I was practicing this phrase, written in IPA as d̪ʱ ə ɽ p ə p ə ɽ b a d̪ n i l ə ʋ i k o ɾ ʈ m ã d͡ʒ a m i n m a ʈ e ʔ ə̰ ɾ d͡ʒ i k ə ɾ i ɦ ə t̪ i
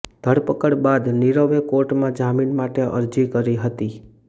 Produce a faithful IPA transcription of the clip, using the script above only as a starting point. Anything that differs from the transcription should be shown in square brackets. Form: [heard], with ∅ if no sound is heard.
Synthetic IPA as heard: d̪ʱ ə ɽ p ə [k] ə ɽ b a d̪ n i [ɾ] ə ʋ [e] k o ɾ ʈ m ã d͡ʒ a m i n m a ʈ e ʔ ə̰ ɾ d͡ʒ i k ə ɾ i ɦ ə t̪ i